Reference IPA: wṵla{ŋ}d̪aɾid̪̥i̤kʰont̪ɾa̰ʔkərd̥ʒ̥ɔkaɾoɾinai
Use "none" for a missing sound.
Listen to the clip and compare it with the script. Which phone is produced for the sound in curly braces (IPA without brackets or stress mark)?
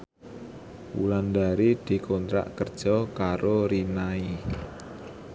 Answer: n